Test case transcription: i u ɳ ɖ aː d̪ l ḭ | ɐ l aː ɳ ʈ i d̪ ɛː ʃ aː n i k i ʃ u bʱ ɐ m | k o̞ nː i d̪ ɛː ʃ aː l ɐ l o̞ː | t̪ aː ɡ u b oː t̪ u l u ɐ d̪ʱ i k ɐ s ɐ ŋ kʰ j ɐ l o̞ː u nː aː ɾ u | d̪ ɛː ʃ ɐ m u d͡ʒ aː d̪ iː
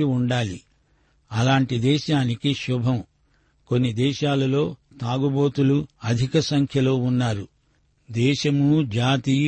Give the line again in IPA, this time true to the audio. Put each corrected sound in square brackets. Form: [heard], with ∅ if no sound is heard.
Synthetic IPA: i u ɳ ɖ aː [∅] l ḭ | ɐ l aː ɳ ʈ i d̪ ɛː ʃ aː n i k i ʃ u bʱ ɐ m | k o̞ nː i d̪ ɛː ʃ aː l ɐ l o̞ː | t̪ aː ɡ u b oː t̪ u l u ɐ d̪ʱ i k ɐ s ɐ ŋ kʰ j ɐ l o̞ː u nː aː ɾ u | d̪ ɛː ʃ ɐ m u d͡ʒ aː [t̪] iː